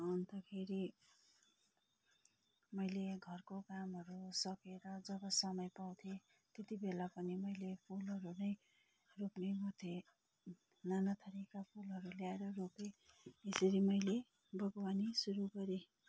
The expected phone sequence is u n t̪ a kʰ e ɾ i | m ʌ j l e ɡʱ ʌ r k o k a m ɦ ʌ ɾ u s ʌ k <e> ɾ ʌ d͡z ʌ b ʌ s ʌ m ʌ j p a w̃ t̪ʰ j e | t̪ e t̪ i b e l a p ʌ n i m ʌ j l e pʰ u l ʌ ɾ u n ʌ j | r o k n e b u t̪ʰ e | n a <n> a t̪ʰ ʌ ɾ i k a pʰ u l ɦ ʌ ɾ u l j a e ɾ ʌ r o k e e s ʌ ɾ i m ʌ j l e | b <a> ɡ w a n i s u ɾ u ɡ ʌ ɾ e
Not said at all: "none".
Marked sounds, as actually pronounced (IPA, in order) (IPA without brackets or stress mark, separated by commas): e, n, ʌ